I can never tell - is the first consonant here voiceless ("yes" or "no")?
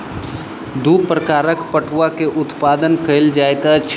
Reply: no